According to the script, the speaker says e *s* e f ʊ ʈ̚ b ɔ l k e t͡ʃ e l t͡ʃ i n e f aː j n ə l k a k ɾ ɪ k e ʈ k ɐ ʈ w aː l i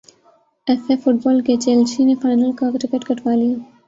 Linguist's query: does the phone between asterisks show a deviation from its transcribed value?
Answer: yes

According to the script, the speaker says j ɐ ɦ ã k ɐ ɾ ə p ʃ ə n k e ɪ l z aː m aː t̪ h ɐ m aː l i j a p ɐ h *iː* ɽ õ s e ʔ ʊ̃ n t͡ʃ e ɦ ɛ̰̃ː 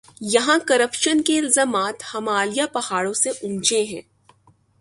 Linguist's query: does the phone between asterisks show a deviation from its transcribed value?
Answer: yes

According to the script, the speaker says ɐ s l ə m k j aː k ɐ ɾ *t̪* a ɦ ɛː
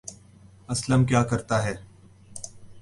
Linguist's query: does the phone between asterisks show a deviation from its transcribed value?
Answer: no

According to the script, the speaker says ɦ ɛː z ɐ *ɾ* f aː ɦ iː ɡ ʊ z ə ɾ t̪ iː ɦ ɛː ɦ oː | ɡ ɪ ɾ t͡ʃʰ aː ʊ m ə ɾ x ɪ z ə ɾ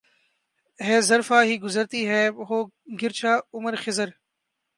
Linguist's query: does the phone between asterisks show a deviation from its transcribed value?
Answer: no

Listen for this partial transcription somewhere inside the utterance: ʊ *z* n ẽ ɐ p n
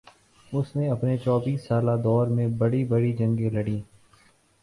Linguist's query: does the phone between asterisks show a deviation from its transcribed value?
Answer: yes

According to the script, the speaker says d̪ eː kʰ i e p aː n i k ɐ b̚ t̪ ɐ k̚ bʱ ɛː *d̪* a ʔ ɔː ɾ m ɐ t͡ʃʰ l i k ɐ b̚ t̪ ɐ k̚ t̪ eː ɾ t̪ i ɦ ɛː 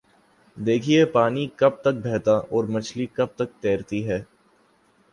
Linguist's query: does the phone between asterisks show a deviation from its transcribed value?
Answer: yes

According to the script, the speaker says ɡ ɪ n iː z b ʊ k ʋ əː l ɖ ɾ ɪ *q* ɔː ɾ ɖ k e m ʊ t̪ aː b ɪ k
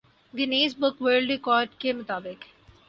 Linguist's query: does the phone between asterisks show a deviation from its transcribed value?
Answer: yes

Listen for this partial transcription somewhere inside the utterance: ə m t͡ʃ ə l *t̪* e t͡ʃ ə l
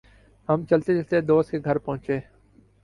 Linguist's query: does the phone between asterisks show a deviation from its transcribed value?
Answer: no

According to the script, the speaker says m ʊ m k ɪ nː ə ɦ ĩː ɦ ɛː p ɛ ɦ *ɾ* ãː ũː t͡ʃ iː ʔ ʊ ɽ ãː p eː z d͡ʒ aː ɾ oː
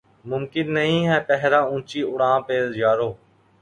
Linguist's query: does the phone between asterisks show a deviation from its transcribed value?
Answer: no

